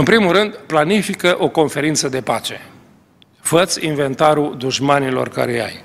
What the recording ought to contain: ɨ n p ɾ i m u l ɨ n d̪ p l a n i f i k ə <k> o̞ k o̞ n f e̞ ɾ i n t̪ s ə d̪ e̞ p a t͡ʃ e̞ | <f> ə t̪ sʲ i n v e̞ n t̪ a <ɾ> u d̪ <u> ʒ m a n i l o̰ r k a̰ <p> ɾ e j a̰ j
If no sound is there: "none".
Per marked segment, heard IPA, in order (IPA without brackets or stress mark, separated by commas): ʔ, f, ɾ, u, none